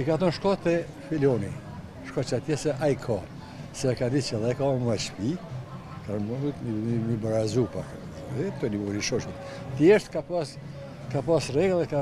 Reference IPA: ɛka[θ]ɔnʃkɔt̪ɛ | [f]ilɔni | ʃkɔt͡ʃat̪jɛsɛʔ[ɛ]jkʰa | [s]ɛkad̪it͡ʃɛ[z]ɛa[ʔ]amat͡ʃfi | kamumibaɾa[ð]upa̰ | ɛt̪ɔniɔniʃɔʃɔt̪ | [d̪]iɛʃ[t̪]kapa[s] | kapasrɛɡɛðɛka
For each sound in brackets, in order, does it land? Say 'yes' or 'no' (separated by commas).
yes, yes, no, yes, no, no, no, no, yes, yes